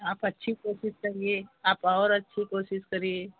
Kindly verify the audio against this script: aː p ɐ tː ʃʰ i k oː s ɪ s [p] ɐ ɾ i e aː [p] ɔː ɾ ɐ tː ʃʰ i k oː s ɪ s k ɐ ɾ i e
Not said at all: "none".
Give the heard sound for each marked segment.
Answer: k, p

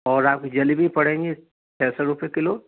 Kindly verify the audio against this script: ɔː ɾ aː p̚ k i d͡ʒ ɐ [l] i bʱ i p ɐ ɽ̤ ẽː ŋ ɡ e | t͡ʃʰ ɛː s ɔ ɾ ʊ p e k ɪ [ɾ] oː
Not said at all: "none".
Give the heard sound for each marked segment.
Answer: l, l

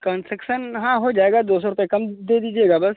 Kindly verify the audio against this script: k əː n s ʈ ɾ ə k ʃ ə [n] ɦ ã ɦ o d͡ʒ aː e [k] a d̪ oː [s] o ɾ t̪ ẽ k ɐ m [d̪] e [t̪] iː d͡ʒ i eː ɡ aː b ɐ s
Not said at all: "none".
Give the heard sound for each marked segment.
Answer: n, ɡ, s, d̪, d̪

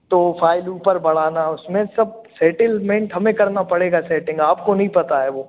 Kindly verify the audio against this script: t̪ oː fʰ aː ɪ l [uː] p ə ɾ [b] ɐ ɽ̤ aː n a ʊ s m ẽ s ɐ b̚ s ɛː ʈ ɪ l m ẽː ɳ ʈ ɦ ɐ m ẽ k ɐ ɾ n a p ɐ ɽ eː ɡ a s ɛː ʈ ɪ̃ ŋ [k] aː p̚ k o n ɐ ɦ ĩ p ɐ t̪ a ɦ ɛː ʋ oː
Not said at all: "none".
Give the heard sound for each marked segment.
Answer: uː, b, ɡ

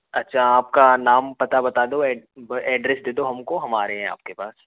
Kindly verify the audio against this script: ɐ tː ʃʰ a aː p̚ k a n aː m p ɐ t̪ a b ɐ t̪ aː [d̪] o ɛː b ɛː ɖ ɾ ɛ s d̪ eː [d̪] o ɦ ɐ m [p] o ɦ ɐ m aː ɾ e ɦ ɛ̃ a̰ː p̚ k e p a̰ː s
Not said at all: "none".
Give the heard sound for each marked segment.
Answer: d̪, d̪, k

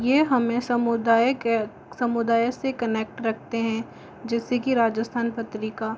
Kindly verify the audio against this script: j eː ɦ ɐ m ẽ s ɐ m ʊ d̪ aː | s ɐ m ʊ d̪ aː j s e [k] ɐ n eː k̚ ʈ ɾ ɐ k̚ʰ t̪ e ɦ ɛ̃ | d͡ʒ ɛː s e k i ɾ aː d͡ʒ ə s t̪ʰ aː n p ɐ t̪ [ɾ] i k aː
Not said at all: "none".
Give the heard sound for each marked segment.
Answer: k, ɾ

